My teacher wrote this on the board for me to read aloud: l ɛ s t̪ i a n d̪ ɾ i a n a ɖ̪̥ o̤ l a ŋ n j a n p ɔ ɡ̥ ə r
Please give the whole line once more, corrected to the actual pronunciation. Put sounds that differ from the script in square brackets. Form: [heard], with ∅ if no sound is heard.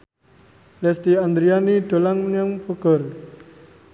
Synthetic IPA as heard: l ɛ s t̪ i a n d̪ ɾ i a n [i] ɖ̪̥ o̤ l a ŋ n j a [ŋ] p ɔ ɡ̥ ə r